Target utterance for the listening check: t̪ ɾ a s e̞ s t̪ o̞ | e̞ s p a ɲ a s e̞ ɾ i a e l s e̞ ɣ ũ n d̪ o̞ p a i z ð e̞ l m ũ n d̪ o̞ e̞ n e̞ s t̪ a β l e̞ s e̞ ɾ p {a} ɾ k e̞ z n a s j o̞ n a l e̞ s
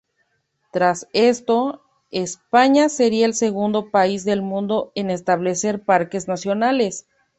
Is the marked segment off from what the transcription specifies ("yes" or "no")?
no